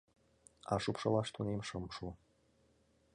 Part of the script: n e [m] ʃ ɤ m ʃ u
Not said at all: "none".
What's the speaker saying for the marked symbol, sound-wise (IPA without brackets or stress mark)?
m